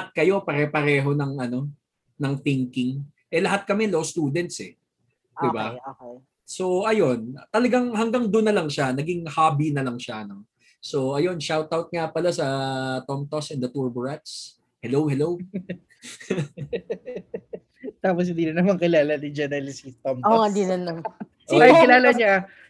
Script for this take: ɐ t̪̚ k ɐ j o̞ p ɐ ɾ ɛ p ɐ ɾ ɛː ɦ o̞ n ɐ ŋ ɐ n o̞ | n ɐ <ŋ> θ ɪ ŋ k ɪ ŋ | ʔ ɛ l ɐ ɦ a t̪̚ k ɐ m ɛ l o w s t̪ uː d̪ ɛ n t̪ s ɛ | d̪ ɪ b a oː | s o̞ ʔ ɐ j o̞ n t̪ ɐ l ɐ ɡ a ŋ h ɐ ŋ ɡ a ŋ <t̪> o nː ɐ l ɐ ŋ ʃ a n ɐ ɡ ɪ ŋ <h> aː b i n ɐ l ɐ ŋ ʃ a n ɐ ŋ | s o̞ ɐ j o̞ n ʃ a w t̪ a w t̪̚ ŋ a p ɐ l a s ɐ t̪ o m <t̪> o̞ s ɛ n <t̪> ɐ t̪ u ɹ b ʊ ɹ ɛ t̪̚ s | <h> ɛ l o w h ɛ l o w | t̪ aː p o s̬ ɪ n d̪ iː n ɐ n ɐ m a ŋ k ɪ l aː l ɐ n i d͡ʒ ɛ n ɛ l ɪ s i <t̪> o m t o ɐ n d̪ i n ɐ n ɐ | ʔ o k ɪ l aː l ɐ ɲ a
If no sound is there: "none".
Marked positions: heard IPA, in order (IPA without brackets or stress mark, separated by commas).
ŋ, d̪, h, t̪, d̪, h, t̪